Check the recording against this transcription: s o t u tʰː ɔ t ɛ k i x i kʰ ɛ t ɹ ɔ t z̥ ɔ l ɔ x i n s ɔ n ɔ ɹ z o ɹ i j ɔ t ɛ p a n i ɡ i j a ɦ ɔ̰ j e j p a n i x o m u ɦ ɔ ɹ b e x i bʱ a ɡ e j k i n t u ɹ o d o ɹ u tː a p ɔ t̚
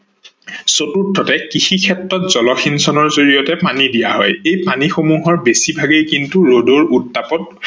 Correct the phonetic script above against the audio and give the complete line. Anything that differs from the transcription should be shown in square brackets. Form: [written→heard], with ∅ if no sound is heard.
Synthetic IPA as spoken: s o t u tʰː ɔ t ɛ k i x i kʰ ɛ t ɹ ɔ t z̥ ɔ l ɔ x i n s ɔ n ɔ ɹ z o ɹ i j ɔ t ɛ p a n i [ɡ→d] i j a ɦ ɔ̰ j e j p a n i x o m u ɦ ɔ ɹ b e [x→s] i bʱ a ɡ e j k i n t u ɹ o d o ɹ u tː a p ɔ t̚